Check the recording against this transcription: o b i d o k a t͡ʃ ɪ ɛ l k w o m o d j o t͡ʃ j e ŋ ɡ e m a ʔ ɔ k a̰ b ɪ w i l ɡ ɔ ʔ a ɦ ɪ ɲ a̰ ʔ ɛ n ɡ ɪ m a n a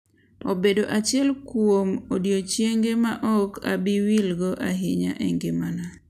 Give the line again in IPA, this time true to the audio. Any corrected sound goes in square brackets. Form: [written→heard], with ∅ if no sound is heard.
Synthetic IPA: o b [i→e] d o [k→ʔ] a t͡ʃ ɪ ɛ l k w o m o d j o t͡ʃ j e ŋ ɡ e m a ʔ ɔ k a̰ b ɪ w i l ɡ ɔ ʔ a ɦ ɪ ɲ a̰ ʔ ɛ [n→ŋ] ɡ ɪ m a n a